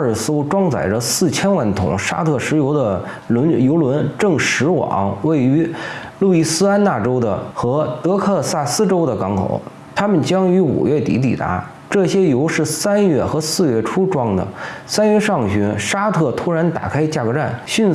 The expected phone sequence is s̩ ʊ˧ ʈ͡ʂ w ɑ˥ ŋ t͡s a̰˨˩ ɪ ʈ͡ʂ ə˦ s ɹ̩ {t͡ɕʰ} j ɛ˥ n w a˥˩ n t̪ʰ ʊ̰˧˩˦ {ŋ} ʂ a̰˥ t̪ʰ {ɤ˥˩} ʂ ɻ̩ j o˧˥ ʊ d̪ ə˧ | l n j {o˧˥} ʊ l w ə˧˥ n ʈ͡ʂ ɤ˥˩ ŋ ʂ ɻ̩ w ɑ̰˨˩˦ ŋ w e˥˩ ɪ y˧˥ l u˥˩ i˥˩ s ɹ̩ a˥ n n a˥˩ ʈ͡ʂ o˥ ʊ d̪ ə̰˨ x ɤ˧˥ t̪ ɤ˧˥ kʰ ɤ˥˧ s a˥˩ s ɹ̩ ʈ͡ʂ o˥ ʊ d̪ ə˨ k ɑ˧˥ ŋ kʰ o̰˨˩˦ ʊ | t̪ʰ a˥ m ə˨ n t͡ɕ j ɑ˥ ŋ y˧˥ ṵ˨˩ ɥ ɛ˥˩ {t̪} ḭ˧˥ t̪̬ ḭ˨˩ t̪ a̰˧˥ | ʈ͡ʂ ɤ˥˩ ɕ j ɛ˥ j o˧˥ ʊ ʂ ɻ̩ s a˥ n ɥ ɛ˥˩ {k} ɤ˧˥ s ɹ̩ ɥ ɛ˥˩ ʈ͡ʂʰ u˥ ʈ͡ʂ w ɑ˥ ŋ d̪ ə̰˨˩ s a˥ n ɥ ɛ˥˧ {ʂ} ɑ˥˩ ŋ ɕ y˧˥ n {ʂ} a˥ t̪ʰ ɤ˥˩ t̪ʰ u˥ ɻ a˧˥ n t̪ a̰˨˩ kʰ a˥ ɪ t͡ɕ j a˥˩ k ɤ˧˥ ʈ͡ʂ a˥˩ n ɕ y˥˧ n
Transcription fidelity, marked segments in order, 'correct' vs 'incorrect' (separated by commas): correct, correct, correct, correct, correct, incorrect, correct, correct